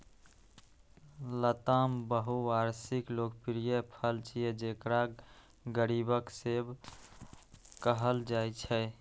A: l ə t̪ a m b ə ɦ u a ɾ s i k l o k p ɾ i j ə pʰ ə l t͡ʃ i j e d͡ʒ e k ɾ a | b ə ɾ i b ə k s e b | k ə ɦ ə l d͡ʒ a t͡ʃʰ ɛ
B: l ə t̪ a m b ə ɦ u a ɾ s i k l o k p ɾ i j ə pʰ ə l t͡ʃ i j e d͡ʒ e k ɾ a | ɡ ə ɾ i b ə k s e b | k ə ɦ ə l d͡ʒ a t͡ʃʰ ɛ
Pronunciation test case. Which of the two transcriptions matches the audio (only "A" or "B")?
B